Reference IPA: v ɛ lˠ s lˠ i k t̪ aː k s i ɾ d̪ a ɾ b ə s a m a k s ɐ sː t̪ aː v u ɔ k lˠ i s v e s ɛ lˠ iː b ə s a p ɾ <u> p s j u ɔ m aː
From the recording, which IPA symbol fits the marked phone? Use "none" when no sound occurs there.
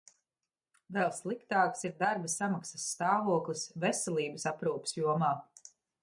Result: uː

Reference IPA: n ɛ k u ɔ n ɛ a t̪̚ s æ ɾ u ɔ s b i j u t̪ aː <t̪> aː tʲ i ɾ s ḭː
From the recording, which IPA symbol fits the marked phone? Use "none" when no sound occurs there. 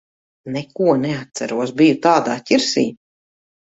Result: d̪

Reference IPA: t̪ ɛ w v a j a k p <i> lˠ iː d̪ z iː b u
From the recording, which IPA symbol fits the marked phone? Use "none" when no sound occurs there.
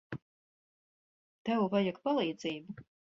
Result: a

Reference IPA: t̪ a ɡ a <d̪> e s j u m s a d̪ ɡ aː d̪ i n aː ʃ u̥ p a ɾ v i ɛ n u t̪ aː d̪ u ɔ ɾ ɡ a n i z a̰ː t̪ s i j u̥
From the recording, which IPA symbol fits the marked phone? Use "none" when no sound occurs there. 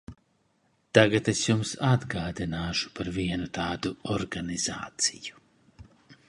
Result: t̪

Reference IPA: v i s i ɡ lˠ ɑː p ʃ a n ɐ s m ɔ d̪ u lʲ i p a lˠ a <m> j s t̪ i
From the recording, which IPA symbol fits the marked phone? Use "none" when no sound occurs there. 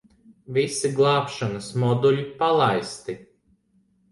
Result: none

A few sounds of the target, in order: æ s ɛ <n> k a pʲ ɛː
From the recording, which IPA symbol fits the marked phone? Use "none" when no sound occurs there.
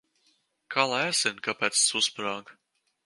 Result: n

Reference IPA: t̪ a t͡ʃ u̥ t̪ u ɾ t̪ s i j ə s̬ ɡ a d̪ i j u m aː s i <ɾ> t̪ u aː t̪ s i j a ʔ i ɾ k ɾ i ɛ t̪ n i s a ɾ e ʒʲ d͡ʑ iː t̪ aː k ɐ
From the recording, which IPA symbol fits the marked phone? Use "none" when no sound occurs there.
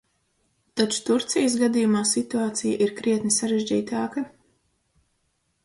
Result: none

